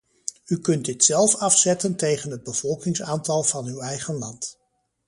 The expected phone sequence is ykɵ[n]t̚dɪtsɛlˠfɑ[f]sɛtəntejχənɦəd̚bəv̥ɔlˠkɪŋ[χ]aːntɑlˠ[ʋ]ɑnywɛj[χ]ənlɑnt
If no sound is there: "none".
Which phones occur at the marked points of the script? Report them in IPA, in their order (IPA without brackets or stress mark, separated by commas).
n, f, s, v, χ